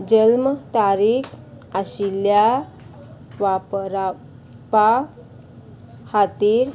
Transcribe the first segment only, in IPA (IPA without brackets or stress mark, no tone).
d͡ʑ